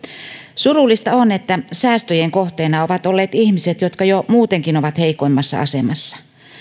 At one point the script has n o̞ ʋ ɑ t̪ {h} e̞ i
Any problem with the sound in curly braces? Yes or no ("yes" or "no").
no